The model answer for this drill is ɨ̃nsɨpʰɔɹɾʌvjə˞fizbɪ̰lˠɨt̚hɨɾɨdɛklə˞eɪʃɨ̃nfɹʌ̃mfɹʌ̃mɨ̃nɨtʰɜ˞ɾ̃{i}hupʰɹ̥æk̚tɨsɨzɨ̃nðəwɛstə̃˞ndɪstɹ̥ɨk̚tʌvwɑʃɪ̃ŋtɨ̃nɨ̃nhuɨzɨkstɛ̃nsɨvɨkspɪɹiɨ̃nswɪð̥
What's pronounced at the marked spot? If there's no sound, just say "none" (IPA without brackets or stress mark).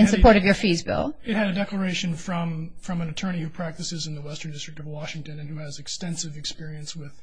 i